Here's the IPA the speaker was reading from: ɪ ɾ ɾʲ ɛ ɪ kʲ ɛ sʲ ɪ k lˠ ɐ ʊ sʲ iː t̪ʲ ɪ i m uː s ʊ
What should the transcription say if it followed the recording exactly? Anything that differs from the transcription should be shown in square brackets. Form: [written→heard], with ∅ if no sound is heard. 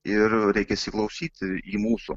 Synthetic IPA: ɪ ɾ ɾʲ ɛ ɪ kʲ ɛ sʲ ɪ k lˠ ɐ ʊ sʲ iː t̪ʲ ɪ i m uː s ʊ

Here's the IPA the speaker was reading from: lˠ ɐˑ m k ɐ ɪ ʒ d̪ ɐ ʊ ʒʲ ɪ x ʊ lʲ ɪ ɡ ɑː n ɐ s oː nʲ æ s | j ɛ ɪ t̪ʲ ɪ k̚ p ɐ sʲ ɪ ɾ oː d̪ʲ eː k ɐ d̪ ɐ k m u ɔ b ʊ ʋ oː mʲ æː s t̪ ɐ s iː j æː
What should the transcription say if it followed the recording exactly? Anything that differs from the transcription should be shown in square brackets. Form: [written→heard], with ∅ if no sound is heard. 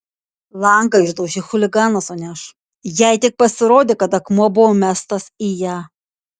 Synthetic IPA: lˠ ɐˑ [m→ŋ] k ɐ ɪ ʒ d̪ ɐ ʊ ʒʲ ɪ x ʊ lʲ ɪ ɡ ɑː n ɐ s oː nʲ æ [s→ʃ] | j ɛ ɪ t̪ʲ ɪ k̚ p ɐ sʲ ɪ ɾ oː d̪ʲ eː k ɐ [d̪→t̪] ɐ k m u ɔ b ʊ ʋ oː mʲ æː s t̪ ɐ s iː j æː

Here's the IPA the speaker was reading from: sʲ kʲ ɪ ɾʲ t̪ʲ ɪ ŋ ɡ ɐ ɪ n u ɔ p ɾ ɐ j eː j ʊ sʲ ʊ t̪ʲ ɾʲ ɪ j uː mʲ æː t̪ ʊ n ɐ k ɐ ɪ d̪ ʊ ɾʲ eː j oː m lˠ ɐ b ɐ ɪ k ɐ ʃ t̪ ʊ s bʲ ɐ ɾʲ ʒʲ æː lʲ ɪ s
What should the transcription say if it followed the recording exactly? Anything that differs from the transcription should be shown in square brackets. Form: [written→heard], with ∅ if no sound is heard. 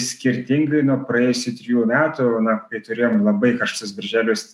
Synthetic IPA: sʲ kʲ ɪ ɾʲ t̪ʲ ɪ ŋ ɡ ɐ ɪ n u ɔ p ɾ ɐ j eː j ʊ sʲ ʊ t̪ʲ ɾʲ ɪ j uː mʲ æː t̪ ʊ n ɐ k ɐ ɪ [d̪→t̪] ʊ ɾʲ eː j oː m lˠ ɐ b ɐ ɪ k ɐ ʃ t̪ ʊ s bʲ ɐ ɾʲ ʒʲ æː lʲ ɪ s

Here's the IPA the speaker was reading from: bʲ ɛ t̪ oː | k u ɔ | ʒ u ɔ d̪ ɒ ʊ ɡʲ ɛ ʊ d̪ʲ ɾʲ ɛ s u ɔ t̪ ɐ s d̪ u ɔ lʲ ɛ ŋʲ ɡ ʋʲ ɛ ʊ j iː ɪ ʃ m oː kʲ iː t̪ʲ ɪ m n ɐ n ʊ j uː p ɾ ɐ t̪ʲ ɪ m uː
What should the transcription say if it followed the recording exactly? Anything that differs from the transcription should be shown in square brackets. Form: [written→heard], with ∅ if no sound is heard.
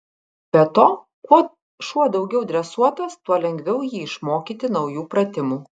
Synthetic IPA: bʲ ɛ t̪ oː | k u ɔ | [ʒ→ʃ] u ɔ d̪ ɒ ʊ ɡʲ ɛ ʊ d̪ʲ ɾʲ ɛ s u ɔ t̪ ɐ s [d̪→t̪] u ɔ lʲ ɛ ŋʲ ɡ ʋʲ ɛ ʊ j iː ɪ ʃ m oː kʲ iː t̪ʲ ɪ [m→∅] n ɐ [n→∅] ʊ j uː p ɾ ɐ t̪ʲ ɪ m uː

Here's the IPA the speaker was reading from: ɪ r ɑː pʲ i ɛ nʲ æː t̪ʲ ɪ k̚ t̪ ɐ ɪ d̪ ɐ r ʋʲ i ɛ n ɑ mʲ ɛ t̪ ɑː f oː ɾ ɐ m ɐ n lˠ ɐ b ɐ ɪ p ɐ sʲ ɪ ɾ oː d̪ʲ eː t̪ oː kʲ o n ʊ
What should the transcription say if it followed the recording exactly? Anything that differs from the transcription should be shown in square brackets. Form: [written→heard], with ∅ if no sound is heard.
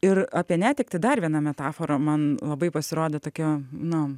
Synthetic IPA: ɪ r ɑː pʲ i ɛ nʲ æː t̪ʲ ɪ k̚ t̪ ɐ ɪ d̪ ɐ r ʋʲ i ɛ n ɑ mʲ ɛ t̪ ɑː f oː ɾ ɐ m ɐ n lˠ ɐ b ɐ ɪ p ɐ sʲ ɪ ɾ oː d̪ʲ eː t̪ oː kʲ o n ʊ

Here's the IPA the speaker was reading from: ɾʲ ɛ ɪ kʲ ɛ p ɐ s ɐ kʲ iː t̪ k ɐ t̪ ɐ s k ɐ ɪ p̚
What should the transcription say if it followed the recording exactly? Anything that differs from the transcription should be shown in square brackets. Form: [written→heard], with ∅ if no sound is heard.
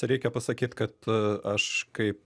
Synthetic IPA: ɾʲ ɛ ɪ kʲ ɛ p ɐ s ɐ kʲ iː t̪ k ɐ t̪ ɐ [s→ʃ] k ɐ ɪ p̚

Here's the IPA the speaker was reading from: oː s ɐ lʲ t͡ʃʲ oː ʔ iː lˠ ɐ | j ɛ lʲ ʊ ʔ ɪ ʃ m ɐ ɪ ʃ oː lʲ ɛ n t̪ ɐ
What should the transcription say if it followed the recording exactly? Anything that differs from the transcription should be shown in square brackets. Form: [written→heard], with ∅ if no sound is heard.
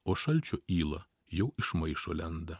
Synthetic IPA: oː [s→ʃ] ɐ lʲ t͡ʃʲ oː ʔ iː lˠ ɐ | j ɛ [lʲ→∅] ʊ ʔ ɪ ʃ m ɐ ɪ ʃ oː lʲ ɛ n [t̪→d̪] ɐ

